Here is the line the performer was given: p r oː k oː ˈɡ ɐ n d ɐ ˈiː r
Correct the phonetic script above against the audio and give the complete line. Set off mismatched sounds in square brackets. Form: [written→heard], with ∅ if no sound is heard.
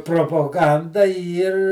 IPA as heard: p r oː [k→p] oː ˈɡ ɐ n d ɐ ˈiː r